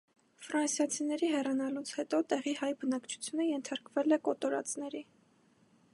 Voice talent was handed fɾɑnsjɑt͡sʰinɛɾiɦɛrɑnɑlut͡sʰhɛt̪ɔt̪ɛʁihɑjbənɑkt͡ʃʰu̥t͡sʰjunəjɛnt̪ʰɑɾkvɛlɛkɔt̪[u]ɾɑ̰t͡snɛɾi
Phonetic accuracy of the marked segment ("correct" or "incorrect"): incorrect